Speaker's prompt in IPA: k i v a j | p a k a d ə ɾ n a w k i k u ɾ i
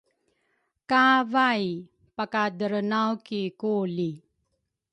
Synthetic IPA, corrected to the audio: k a v a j | p a k a d ə ɾ n a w k i k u l i